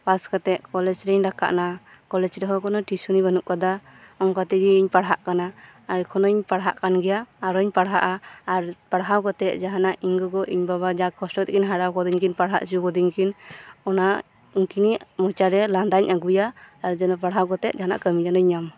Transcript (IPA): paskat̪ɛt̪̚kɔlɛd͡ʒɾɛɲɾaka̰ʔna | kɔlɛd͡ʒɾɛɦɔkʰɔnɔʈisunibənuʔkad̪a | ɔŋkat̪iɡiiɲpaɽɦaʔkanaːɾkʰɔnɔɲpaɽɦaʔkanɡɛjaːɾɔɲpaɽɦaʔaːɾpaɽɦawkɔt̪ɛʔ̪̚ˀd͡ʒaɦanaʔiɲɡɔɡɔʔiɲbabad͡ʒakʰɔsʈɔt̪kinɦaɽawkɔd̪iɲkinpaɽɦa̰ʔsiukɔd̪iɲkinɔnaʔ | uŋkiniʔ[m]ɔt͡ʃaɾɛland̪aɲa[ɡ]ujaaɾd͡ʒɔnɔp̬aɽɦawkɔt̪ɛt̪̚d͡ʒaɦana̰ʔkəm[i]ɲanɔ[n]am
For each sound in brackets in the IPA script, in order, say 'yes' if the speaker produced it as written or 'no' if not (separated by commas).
yes, yes, yes, no